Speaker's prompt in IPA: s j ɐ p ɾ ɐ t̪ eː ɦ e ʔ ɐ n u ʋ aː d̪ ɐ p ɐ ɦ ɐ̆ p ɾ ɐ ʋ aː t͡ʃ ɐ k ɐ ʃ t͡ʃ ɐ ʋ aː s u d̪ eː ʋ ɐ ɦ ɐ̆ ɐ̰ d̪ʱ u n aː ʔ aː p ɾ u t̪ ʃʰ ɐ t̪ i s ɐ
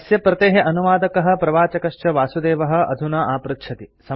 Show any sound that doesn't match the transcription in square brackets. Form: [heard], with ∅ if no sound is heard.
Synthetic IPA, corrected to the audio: s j ɐ p ɾ ɐ t̪ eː ɦ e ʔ ɐ n u ʋ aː d̪ ɐ [k] ɐ ɦ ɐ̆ p ɾ ɐ ʋ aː t͡ʃ ɐ k ɐ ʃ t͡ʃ ɐ ʋ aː s u d̪ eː ʋ ɐ ɦ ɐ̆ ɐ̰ d̪ʱ u n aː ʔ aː p ɾ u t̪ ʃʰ ɐ t̪ i s ɐ

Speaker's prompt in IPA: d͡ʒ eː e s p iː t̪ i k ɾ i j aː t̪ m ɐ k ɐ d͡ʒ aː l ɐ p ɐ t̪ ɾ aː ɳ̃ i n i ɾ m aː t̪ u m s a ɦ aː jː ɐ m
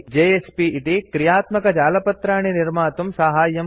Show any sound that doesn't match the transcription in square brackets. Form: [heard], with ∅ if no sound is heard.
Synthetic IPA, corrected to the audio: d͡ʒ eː e s p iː t̪ i k ɾ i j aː t̪ m ɐ k ɐ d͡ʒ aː l ɐ p ɐ t̪ ɾ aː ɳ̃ i n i ɾ m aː t̪ u m s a ɦ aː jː ɐ m

